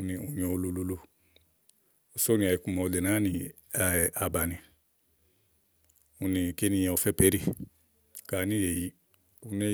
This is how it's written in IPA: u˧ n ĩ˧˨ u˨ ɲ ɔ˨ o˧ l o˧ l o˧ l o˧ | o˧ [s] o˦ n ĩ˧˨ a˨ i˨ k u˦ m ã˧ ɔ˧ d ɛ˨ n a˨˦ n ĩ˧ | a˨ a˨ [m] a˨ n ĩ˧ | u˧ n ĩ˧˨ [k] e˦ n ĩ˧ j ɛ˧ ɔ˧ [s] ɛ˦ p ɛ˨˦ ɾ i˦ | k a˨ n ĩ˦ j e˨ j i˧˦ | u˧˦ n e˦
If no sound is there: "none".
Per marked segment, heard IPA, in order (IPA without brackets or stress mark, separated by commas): s, b, k, f